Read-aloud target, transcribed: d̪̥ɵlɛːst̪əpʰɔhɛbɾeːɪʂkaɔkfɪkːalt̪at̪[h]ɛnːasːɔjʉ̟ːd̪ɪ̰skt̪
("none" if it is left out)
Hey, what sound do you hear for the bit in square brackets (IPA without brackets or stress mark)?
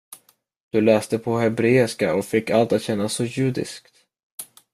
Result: ɕ